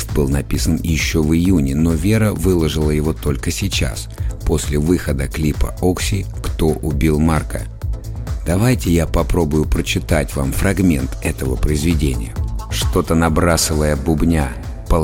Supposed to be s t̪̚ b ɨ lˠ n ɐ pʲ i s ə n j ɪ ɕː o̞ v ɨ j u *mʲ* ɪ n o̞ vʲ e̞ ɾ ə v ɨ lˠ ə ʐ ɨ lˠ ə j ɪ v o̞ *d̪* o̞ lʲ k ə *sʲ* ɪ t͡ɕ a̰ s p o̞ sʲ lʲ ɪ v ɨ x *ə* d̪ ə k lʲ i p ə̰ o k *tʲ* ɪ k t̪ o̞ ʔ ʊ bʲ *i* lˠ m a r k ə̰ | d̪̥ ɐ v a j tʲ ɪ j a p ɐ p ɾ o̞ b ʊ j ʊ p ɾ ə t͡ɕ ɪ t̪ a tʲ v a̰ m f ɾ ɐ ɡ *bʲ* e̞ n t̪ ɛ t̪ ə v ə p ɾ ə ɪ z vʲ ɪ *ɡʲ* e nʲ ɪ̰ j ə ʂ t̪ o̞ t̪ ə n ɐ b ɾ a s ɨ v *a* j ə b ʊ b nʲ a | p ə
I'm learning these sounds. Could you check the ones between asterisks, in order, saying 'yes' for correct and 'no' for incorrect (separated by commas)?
no, no, yes, yes, no, yes, no, no, no